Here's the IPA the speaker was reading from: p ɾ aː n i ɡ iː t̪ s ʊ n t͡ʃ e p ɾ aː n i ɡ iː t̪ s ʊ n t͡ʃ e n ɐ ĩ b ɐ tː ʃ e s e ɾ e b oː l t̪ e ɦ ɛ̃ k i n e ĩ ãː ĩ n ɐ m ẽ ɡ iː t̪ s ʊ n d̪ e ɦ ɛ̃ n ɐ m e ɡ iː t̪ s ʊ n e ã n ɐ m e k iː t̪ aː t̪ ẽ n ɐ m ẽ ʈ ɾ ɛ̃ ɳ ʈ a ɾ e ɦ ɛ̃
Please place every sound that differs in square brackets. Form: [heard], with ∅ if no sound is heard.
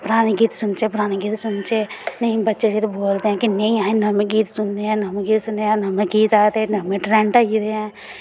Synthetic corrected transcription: p ɾ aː n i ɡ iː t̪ s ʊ n t͡ʃ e p ɾ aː n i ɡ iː t̪ s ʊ n t͡ʃ e n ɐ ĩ b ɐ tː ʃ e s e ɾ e b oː l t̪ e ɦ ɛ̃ k i n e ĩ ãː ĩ n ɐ m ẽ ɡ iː t̪ s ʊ n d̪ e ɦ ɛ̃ n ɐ m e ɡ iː t̪ s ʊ n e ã n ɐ m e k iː t̪ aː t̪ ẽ n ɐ m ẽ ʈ ɾ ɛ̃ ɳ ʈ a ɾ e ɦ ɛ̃